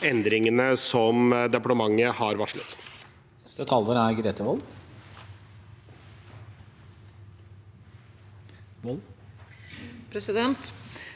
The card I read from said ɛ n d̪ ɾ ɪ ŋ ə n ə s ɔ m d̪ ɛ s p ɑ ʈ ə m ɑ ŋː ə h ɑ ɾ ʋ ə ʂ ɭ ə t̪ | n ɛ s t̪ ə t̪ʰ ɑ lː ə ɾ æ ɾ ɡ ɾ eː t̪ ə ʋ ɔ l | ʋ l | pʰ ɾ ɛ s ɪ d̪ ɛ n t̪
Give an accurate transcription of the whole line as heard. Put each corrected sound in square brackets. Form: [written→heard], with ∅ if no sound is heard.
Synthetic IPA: ɛ n d̪ ɾ ɪ ŋ ə n ə s ɔ m d̪ ɛ [s→∅] p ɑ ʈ ə m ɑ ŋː ə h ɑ ɾ ʋ [ə→ɑ] ʂ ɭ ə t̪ | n ɛ s t̪ ə t̪ʰ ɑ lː ə ɾ æ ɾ ɡ ɾ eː t̪ ə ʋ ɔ l | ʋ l | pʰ ɾ ɛ s ɪ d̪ ɛ n t̪